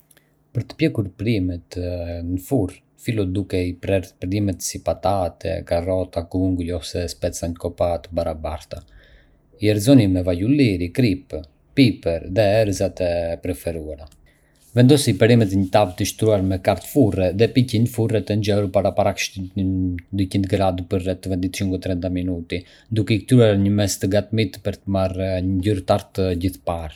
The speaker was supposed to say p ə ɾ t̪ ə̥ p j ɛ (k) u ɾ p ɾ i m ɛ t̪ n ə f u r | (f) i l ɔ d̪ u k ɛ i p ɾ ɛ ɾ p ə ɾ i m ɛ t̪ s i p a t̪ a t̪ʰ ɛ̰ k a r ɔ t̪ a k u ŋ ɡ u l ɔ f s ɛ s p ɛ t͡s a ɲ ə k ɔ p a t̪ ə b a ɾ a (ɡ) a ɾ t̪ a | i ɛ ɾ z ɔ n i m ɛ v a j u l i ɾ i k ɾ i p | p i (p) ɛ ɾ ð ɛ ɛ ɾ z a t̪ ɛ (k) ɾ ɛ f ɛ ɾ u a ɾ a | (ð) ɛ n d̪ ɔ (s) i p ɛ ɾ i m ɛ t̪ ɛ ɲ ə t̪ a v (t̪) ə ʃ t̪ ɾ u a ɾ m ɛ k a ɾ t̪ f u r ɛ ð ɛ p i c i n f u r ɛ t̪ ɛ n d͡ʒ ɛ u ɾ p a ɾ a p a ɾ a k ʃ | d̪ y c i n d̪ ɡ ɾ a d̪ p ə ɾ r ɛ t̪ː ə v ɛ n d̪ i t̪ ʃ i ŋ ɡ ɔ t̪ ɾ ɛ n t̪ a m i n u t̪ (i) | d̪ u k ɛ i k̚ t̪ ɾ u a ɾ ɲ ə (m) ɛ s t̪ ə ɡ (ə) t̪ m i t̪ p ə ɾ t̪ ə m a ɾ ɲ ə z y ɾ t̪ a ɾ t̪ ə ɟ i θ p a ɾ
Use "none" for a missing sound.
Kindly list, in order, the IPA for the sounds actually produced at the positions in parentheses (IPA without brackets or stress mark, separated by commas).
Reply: k, f, b, p, p, v, s, t̪, i, m, a